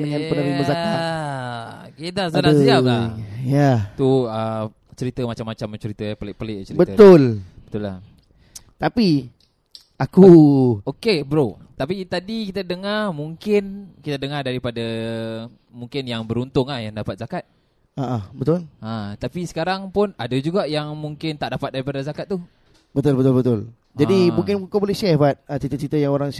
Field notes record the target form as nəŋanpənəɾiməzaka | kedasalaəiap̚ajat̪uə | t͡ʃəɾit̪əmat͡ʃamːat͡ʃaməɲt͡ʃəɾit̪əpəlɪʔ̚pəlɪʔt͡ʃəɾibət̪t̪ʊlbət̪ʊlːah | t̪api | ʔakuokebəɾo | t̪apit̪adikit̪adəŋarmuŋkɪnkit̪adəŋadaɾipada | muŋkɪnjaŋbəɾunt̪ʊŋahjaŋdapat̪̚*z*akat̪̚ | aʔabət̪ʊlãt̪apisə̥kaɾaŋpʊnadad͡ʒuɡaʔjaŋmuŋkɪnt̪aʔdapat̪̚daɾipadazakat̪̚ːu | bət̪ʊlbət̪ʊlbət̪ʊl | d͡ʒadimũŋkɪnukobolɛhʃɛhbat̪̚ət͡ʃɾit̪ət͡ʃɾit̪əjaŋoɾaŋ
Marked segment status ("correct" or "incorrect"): correct